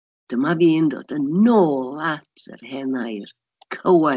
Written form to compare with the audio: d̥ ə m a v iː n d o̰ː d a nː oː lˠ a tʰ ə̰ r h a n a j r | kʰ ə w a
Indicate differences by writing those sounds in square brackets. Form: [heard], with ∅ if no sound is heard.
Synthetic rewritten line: d̥ ə m a v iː n d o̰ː d [ə] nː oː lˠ a tʰ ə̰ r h [ɛ] n a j r | kʰ ə w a